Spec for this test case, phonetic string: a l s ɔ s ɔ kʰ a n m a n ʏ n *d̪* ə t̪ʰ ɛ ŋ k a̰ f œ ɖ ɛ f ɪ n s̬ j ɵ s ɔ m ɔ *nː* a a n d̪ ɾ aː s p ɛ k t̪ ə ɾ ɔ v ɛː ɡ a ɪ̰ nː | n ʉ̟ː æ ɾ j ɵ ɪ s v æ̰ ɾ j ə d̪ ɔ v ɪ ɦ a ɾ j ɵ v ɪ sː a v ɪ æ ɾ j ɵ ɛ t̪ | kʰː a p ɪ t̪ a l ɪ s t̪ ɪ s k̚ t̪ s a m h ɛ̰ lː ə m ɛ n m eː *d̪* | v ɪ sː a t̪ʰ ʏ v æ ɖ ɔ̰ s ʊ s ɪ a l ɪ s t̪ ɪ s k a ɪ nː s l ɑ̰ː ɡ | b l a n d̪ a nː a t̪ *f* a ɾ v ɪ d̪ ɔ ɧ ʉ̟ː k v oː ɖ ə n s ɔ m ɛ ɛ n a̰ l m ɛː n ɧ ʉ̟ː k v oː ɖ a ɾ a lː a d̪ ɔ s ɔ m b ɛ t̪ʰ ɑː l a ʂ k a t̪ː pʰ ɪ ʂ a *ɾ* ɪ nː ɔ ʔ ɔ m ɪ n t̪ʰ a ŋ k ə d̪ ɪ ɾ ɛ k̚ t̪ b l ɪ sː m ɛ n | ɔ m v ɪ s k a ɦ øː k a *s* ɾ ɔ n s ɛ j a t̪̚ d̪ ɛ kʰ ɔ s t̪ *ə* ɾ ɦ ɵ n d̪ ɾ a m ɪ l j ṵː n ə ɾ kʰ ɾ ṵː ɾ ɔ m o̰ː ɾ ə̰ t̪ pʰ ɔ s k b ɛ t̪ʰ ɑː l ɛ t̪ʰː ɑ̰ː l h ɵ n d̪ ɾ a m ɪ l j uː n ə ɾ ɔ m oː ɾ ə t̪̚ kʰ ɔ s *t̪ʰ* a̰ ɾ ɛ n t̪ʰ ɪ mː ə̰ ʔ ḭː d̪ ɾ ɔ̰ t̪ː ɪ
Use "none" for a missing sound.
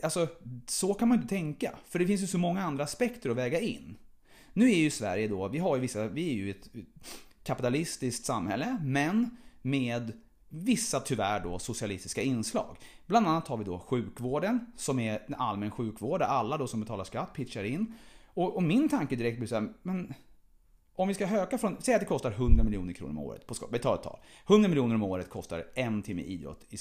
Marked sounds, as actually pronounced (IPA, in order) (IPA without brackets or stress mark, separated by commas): t̪, ŋː, d̪, h, ɾ, f, a, t̪